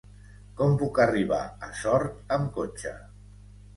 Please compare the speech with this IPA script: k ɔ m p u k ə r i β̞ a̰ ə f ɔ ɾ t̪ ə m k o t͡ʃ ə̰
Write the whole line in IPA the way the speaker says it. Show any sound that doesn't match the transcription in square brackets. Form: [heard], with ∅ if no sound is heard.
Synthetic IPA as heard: k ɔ m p u k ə r i β̞ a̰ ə [s] ɔ ɾ t̪ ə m k o t͡ʃ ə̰